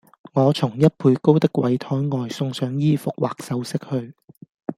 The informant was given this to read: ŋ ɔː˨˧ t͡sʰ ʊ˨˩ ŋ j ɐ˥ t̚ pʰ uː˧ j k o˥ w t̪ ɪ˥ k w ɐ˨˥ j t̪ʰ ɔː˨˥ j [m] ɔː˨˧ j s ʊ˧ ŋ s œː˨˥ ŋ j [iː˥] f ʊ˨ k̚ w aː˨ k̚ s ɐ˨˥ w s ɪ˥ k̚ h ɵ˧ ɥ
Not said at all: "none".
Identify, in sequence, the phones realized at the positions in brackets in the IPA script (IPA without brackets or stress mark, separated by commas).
ŋ, iː˥